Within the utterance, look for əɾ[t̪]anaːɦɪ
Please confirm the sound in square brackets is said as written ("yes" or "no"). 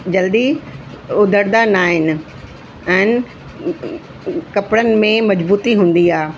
no